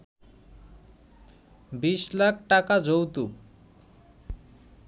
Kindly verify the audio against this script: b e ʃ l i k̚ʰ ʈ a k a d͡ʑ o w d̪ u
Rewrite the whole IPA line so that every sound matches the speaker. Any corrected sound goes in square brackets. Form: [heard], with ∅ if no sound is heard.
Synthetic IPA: b [i] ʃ l [a] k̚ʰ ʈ a k a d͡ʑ o w [t̪] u

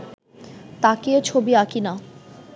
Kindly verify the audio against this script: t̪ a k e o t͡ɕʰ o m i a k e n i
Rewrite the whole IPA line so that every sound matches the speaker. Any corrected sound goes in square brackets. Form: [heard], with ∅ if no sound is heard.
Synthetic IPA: t̪ a k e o t͡ɕʰ o [b] i a k [i] n [a]

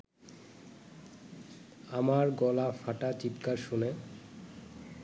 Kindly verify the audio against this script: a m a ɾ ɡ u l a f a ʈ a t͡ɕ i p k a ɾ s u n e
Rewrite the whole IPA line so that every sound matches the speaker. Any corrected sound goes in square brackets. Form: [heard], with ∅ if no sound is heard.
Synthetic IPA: a m a ɾ ɡ [ɔ] l a f a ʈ a t͡ɕ i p k a ɾ [ʃ] u n e

